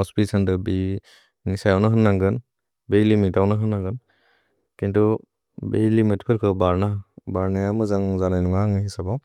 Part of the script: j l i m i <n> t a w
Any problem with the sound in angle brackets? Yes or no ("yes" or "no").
yes